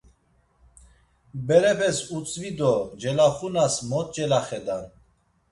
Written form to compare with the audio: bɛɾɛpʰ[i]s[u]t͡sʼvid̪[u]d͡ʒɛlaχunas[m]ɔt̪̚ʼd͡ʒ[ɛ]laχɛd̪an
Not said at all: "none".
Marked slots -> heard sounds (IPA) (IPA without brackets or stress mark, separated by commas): ɛ, u, ɔ, m, ɛ